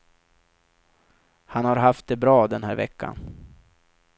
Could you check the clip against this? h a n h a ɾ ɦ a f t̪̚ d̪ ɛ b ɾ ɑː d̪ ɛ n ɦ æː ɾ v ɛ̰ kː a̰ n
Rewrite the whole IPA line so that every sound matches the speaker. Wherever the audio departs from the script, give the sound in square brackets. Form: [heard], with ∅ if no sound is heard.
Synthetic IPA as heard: h a n h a ɾ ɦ a f t̪̚ d̪ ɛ b ɾ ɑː d̪ ɛ n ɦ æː ɾ v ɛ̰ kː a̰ n